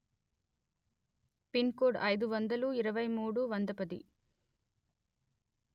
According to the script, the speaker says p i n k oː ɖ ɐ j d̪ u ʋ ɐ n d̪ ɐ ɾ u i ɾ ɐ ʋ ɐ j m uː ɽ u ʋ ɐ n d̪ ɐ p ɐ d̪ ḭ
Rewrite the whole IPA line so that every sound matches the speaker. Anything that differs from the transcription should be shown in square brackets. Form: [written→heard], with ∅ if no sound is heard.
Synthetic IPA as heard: p i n k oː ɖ ɐ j d̪ u ʋ ɐ n d̪ ɐ [ɾ→l] u i ɾ ɐ ʋ ɐ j m uː ɽ u ʋ ɐ n d̪ ɐ p ɐ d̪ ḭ